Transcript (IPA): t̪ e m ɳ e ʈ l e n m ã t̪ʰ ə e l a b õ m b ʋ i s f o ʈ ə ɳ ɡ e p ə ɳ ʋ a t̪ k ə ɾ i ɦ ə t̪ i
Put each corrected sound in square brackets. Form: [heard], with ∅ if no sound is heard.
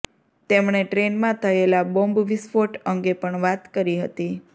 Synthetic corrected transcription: t̪ e m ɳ e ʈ [ɾ] e n m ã t̪ʰ ə e l a b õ m b ʋ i s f o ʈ ə [ŋ] ɡ e p ə ɳ ʋ a t̪ k ə ɾ i ɦ ə t̪ i